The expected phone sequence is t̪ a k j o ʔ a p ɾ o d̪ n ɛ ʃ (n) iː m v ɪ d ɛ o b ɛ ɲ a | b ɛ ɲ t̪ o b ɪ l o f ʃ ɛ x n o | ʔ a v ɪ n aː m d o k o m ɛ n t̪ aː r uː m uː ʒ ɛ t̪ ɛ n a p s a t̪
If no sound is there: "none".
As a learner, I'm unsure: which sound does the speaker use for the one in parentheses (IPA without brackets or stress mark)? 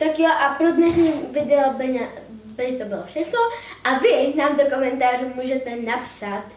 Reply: ɲ